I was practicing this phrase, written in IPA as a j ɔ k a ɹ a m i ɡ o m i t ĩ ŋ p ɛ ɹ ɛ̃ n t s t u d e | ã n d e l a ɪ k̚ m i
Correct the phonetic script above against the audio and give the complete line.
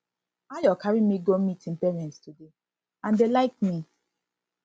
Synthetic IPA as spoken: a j ɔ k a ɹ i m i ɡ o m i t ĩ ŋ p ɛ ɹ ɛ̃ n t s t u d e | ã n d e l a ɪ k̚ m i